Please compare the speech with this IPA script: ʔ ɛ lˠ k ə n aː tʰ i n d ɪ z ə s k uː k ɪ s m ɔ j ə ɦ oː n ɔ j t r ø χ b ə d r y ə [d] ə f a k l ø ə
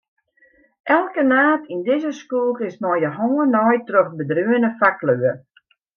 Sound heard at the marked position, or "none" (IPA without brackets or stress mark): n